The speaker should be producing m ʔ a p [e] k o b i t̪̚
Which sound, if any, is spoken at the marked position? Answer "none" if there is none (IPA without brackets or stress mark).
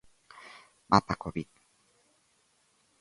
a